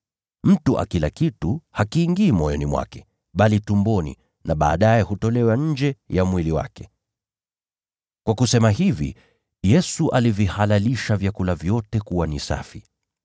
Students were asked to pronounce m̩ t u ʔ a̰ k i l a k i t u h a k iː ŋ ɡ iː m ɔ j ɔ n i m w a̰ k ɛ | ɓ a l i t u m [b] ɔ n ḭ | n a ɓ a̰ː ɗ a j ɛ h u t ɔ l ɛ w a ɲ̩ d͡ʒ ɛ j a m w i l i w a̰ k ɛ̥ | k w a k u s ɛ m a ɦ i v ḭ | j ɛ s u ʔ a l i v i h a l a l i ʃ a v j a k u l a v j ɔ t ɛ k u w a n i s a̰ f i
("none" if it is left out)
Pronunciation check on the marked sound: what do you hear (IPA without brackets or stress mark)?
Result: b